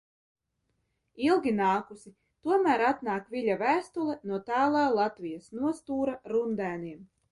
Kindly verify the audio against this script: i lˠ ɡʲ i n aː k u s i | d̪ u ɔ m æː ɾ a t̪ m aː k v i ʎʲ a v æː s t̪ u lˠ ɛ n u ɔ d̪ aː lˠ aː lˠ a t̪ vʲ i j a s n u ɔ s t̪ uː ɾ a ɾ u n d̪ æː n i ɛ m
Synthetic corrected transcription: i lˠ ɡʲ i n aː k u s i | t̪ u ɔ m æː ɾ a t̪ n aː k v i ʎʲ a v æː s t̪ u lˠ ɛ n u ɔ t̪ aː lˠ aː lˠ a t̪ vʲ i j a s n u ɔ s t̪ uː ɾ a ɾ u n d̪ æː n i ɛ m